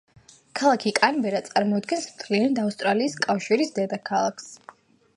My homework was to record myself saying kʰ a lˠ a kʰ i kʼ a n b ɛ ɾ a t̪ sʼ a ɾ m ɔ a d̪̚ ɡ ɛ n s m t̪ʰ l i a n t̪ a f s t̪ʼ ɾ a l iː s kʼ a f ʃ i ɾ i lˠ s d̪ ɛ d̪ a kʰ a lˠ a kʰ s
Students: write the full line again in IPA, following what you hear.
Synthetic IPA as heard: kʰ a lˠ a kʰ i kʼ a n b ɛ ɾ a t̪ sʼ a ɾ m ɔ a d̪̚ ɡ ɛ n s m t̪ʰ l i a n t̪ a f s t̪ʼ ɾ a l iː s kʼ a f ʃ i ɾ i s d̪ ɛ d̪ a kʰ a lˠ a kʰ s